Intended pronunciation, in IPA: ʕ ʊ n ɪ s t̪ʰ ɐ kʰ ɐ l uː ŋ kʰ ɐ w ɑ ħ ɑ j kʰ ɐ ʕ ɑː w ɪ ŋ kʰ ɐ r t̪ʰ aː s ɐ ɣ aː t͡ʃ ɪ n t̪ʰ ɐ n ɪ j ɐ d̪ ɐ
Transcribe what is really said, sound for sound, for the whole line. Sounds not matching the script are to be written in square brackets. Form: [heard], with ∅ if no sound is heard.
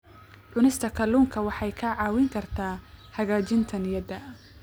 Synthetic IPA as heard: ʕ ʊ n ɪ s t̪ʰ ɐ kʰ ɐ l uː ŋ kʰ ɐ w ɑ ħ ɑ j kʰ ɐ ʕ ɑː w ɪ ŋ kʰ ɐ r t̪ʰ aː [h] ɐ ɣ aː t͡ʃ ɪ n t̪ʰ ɐ n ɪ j ɐ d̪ ɐ